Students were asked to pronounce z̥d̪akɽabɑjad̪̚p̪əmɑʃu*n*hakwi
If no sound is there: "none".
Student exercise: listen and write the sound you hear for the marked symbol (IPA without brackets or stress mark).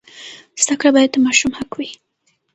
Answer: m